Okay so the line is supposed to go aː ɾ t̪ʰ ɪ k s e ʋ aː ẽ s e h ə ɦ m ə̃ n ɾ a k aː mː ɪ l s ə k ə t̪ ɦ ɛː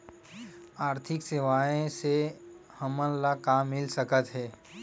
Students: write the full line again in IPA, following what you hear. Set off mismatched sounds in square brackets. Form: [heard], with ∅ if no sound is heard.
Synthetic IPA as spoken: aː ɾ t̪ʰ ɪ k s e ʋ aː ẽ s e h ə [∅] m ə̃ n [l] a k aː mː ɪ l s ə k ə t̪ ɦ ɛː